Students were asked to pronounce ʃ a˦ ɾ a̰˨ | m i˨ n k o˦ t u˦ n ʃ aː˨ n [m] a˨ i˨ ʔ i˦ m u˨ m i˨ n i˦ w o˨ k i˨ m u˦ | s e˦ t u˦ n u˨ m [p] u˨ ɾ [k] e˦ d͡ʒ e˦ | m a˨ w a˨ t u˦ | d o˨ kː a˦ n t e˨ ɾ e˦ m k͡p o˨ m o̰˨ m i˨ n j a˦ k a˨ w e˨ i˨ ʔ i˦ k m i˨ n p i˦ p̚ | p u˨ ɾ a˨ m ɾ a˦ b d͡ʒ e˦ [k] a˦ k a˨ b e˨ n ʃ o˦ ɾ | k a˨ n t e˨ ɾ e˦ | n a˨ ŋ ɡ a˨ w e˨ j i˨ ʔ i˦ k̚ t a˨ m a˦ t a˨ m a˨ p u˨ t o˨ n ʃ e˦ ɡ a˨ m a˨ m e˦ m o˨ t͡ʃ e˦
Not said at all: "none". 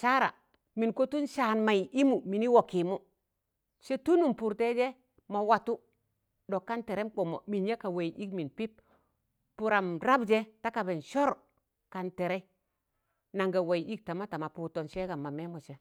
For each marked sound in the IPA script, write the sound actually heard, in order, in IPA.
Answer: m, p, t, t

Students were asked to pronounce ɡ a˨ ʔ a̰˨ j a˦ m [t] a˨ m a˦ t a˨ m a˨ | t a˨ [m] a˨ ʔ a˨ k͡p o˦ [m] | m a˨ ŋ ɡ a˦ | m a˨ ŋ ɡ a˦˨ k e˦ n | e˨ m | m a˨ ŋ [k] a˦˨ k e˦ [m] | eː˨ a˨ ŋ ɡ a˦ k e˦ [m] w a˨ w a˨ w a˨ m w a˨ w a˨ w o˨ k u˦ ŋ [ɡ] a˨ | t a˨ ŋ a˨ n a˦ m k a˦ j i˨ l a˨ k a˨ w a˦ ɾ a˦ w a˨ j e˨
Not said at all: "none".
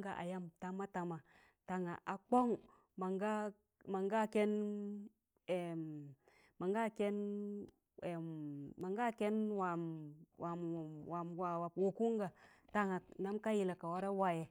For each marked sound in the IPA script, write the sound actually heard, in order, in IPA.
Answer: t, ŋ, ŋ, ɡ, n, n, ɡ

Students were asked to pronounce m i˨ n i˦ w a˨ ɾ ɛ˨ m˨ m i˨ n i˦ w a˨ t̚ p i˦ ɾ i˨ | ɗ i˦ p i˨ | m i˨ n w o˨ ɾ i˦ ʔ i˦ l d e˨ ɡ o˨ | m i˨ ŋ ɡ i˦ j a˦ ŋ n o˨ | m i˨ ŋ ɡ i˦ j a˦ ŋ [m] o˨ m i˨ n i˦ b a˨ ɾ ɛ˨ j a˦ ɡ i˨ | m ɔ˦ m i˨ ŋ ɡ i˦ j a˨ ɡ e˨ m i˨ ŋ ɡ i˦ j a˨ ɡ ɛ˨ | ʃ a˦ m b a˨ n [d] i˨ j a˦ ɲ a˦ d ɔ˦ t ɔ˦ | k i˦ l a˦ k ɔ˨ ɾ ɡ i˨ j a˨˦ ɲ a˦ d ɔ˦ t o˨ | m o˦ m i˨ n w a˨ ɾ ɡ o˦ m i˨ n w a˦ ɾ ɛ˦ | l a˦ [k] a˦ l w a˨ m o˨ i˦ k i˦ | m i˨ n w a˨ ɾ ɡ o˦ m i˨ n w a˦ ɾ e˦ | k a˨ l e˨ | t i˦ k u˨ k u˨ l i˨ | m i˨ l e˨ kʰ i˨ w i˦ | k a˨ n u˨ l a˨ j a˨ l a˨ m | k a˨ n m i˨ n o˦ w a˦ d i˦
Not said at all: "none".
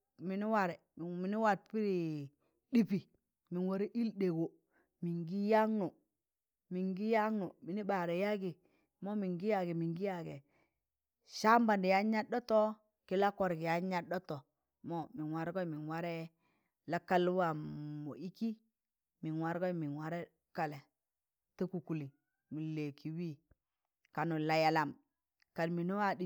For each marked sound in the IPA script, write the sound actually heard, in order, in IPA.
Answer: n, d, k

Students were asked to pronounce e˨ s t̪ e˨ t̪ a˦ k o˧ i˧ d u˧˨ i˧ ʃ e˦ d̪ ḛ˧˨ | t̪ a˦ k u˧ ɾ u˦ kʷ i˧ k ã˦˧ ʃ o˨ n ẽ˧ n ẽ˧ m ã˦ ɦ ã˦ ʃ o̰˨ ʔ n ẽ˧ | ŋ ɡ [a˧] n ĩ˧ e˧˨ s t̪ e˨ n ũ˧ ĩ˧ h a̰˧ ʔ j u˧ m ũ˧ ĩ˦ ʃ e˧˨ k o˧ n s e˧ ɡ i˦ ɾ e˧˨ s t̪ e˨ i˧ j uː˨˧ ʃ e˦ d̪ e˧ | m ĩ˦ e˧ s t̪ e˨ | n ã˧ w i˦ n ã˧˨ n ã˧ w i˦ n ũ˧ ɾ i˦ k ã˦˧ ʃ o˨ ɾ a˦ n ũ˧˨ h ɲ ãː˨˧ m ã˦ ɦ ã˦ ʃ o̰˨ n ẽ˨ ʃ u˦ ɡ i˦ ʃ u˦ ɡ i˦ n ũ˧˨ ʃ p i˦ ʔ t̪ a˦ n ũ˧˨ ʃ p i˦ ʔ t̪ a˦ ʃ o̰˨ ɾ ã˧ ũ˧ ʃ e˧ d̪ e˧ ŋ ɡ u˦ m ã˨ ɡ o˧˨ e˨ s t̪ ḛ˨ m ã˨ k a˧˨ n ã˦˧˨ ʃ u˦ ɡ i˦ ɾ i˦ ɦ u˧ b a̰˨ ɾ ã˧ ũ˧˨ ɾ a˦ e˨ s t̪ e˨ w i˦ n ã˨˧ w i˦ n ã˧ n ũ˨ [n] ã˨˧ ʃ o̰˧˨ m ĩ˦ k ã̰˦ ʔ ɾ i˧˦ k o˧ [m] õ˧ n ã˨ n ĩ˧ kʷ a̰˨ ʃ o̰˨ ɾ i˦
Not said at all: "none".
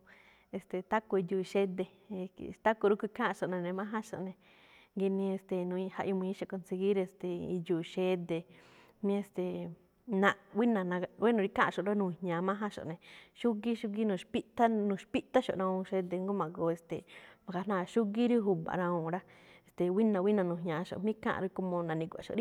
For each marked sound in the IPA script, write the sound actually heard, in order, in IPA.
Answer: i˧, ɲ, m

